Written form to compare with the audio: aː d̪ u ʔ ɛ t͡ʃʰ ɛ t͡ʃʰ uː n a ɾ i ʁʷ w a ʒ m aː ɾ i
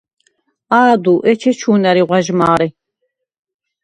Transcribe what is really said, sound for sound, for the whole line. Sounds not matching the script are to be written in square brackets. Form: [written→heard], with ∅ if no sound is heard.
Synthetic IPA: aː d̪ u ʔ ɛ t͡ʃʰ ɛ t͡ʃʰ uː n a ɾ i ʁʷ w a ʒ m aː ɾ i